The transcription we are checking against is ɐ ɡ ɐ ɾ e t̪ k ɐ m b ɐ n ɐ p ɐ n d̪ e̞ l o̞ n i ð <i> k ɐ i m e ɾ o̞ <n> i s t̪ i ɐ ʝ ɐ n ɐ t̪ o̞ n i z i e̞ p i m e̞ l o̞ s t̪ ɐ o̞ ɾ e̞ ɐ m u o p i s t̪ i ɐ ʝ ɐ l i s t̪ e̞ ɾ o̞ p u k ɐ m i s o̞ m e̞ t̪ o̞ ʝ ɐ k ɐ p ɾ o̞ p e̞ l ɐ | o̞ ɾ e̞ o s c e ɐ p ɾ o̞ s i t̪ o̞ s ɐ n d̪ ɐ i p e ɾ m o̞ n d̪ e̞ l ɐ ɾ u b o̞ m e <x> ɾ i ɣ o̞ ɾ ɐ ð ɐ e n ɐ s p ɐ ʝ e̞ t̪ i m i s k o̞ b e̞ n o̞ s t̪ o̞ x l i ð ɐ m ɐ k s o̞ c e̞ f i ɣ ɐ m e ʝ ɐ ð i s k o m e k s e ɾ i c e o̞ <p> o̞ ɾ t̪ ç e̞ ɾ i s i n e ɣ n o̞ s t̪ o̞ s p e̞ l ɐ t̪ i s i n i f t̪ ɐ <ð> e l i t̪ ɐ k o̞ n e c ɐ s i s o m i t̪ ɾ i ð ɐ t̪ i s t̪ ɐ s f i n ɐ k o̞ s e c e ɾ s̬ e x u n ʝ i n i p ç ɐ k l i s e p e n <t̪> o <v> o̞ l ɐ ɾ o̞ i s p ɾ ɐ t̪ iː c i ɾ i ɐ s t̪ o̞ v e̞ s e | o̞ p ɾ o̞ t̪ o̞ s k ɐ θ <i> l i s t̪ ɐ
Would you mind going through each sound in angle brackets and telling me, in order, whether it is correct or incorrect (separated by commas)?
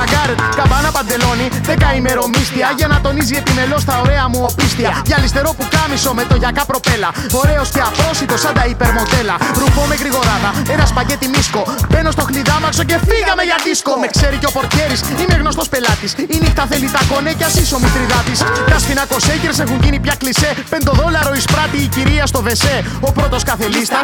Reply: incorrect, incorrect, incorrect, correct, incorrect, incorrect, incorrect, incorrect